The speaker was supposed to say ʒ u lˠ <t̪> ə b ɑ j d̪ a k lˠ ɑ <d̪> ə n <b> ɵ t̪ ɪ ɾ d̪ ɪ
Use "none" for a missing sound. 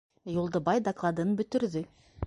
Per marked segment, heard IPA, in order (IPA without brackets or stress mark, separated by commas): d̪, d̪, b